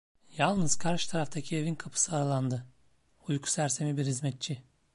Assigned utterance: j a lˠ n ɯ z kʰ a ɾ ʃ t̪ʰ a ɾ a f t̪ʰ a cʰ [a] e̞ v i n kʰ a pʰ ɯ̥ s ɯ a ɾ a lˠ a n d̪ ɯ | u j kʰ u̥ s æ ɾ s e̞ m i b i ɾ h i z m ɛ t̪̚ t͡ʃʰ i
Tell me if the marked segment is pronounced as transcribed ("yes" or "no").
no